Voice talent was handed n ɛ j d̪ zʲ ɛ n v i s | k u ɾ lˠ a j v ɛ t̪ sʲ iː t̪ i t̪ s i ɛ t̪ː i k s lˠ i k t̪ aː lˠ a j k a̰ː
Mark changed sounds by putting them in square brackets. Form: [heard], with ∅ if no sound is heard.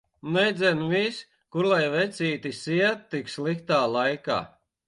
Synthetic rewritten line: n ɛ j d̪ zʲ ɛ n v i s | k u ɾ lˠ a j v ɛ t̪ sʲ iː t̪ i [∅] s i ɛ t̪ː i k s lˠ i k t̪ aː lˠ a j k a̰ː